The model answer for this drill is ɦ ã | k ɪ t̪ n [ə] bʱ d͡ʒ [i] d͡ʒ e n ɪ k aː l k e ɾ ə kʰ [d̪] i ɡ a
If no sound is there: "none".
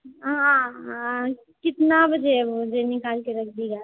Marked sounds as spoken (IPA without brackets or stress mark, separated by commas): a, e, d̪